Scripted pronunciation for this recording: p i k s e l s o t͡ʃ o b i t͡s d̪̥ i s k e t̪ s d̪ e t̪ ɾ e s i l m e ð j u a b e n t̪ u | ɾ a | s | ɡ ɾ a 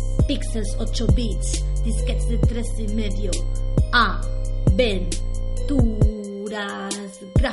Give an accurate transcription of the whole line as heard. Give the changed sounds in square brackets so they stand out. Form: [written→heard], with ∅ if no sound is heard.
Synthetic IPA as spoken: p i k s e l s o t͡ʃ o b i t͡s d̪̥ i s k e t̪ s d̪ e t̪ ɾ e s i [l→∅] m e ð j [u→o] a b e n t̪ u | ɾ a | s | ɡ ɾ a